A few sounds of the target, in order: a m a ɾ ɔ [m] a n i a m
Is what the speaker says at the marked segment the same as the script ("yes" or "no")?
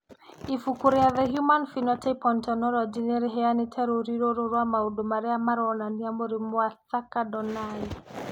no